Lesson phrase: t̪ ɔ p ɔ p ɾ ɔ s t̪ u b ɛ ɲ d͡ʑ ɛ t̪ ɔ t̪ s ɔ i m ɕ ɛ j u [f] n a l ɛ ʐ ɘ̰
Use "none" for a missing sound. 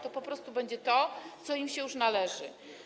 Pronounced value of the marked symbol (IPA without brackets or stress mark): ʂ